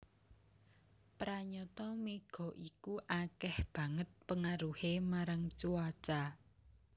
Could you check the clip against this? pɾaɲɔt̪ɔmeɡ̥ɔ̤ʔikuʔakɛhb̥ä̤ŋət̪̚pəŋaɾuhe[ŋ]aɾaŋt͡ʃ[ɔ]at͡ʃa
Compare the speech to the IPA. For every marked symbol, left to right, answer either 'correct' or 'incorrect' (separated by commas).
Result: incorrect, incorrect